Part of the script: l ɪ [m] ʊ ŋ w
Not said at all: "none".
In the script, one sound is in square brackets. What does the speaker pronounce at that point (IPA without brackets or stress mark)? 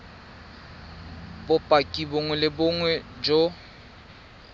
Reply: b